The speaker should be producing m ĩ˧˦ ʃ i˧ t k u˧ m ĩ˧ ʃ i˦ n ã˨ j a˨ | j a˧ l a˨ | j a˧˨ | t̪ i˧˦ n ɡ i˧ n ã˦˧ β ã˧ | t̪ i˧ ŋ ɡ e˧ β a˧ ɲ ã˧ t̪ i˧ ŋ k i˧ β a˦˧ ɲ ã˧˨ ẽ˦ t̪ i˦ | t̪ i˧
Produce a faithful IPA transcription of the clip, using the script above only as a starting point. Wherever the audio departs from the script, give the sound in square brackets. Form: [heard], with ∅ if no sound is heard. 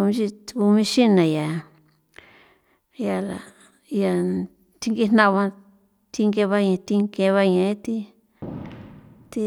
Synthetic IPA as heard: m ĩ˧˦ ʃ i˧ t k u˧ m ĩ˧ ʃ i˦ n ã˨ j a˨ | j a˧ l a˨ | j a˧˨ | t̪ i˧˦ [ŋ] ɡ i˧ n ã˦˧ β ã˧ | t̪ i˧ ŋ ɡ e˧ β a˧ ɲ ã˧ t̪ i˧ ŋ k [e˧] β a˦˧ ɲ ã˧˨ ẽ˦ t̪ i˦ | t̪ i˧